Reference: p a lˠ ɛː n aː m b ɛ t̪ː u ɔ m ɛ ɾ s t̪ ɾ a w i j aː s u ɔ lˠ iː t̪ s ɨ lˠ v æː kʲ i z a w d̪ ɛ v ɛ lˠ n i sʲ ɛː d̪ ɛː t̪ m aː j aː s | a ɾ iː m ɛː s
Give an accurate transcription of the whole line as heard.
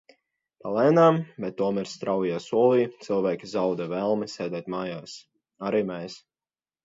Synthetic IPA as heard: p a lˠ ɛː n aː m b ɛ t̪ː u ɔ m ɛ ɾ s t̪ ɾ a w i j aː s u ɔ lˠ iː t̪ s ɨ lˠ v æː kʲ i z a w d̪ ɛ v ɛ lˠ m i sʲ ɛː d̪ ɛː t̪ m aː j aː s | a ɾ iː m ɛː s